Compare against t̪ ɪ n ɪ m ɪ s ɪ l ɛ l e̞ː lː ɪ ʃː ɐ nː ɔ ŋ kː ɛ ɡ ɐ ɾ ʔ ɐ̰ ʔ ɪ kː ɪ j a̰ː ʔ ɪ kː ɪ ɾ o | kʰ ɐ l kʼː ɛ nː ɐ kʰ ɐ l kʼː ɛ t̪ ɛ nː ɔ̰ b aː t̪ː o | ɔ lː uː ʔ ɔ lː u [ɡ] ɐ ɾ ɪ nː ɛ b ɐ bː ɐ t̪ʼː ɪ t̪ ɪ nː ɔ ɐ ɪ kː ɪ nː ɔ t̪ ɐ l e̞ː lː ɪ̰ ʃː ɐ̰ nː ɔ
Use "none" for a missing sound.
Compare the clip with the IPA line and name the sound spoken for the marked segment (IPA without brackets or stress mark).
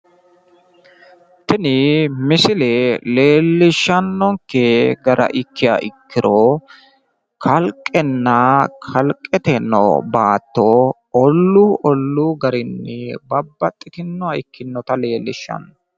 ɡ